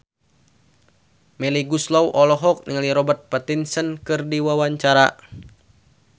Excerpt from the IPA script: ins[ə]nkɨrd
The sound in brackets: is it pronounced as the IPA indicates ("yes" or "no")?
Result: yes